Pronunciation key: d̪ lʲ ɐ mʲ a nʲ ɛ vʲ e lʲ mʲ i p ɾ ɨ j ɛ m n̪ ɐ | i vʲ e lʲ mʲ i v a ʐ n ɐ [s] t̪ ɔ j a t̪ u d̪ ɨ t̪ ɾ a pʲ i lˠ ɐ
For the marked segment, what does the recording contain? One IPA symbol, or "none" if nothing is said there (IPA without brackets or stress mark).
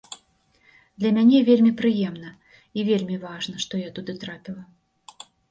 ʂ